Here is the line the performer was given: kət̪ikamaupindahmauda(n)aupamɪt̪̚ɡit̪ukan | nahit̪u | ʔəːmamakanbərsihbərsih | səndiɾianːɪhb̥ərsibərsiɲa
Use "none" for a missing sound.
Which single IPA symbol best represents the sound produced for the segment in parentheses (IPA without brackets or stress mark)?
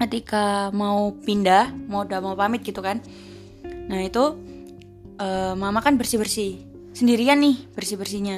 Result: m